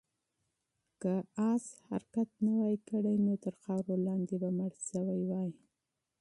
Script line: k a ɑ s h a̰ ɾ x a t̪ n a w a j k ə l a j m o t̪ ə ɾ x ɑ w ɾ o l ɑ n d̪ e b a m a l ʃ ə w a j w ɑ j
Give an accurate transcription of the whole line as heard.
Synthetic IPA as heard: k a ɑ s h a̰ ɾ k a t̪ n a w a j k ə ɽ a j n o t̪ ə ɾ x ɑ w ɾ o l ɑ n d̪ e b a m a ɽ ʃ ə w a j w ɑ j